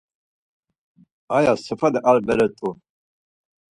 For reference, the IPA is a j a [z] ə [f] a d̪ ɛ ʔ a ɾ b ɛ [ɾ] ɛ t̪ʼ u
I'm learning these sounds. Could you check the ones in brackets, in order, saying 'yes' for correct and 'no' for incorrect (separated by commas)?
no, yes, yes